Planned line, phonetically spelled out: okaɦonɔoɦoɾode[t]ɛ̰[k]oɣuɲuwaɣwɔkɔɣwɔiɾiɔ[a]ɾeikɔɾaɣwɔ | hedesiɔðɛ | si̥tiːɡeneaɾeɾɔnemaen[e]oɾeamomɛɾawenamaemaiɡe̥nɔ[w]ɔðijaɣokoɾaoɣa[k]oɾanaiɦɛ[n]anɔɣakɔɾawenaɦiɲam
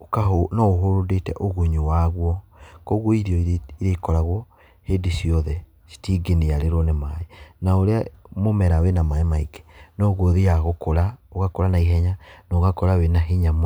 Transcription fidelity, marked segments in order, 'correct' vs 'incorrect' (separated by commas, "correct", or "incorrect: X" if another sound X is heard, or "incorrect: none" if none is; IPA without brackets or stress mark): correct, incorrect: ʔ, incorrect: i, incorrect: a, incorrect: ɣ, correct, incorrect: ɲ